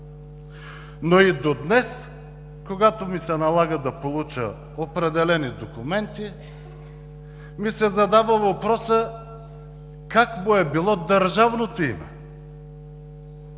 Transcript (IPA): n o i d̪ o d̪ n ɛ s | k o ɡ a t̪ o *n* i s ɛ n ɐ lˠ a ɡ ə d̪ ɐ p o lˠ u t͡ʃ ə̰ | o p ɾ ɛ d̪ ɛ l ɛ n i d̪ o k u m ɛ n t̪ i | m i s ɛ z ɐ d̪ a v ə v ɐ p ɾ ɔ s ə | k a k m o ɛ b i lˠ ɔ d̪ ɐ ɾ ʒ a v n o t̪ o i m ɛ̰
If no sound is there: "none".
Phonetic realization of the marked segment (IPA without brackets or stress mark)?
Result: m